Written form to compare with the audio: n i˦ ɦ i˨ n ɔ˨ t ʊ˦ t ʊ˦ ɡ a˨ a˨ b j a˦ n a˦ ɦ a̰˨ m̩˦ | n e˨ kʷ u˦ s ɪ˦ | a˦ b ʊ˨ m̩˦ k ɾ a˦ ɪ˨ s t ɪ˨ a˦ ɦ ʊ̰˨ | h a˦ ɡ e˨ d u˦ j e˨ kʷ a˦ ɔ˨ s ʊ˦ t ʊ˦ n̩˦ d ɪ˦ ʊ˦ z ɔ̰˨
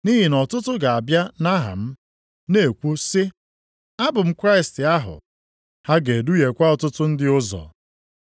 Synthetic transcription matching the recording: n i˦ ɦ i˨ n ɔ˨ t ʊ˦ t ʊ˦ ɡ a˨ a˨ b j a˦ n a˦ ɦ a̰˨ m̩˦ | n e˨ kʷ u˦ s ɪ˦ | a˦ b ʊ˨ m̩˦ k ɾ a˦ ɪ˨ s t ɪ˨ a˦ ɦ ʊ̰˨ | h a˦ ɡ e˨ d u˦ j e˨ kʷ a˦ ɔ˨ t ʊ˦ t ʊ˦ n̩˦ d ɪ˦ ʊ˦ z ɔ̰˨